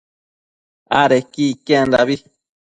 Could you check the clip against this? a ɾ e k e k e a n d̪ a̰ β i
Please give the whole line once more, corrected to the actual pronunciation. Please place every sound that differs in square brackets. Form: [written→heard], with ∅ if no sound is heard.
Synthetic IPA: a ɾ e k [e→i] k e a n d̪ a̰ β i